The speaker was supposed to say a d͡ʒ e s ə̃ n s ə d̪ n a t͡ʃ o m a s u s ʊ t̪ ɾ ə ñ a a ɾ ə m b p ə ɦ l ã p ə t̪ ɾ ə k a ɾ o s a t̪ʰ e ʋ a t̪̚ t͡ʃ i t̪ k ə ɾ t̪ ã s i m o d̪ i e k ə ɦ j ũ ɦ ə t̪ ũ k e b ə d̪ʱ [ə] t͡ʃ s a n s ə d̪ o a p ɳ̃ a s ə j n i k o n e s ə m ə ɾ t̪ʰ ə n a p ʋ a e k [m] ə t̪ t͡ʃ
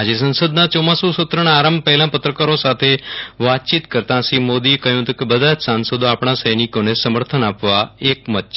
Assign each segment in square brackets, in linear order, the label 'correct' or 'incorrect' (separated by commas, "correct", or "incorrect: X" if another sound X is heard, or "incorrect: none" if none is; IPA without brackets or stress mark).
incorrect: a, correct